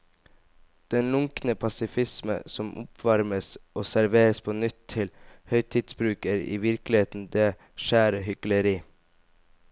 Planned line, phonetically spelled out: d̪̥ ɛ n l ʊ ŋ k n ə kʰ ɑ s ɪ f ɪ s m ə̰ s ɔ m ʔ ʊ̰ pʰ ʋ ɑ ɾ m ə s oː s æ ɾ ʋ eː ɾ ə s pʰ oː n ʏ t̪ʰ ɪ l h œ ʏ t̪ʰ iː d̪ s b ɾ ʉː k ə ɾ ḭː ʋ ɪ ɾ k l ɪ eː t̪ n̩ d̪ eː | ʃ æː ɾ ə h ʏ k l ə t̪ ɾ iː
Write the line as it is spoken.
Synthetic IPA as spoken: d̪̥ ɛ n l ʊ ŋ k n ə pʰ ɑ s ɪ f ɪ s m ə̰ s ɔ m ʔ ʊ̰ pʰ ʋ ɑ ɾ m ə s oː s æ ɾ ʋ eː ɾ ə s pʰ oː n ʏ t̪ʰ ɪ l h œ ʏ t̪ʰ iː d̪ s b ɾ ʉː k ə ɾ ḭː ʋ ɪ ɾ k l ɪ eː t̪ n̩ d̪ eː | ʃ æː ɾ ə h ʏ k l ə ɾ iː